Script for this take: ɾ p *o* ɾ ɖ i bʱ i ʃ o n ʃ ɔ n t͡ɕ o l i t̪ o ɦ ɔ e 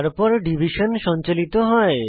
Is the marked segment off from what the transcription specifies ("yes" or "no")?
yes